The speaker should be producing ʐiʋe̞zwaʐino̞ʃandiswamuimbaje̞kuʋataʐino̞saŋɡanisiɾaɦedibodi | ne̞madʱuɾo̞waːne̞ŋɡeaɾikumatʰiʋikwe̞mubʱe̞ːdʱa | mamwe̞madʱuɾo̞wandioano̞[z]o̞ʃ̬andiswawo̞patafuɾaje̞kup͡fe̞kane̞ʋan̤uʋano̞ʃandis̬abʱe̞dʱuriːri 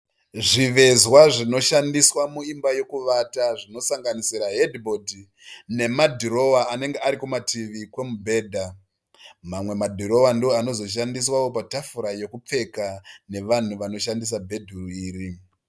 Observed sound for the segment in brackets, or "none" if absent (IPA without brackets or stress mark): z